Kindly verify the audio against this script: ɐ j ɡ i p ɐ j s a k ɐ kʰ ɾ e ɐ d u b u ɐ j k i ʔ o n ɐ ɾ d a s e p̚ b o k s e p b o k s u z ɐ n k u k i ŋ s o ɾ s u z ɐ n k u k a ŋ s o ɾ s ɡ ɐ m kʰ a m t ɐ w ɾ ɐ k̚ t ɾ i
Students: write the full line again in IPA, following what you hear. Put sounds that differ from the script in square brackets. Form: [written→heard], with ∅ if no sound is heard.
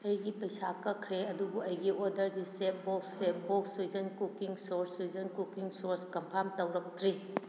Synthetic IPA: ɐ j ɡ i p ɐ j s a k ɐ kʰ ɾ e ɐ d u b u ɐ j [k→ɡ] i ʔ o [n→d] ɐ ɾ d [a→i] s e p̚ b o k s e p b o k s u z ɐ n k u k i ŋ s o ɾ s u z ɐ n k u k [a→i] ŋ s o ɾ s [ɡ→k] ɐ m [kʰ→pʰ] a m t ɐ w ɾ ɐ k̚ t ɾ i